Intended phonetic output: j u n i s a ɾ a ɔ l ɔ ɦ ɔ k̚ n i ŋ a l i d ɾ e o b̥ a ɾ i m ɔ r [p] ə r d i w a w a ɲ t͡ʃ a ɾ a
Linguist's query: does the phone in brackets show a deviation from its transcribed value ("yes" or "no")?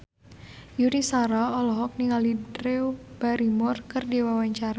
yes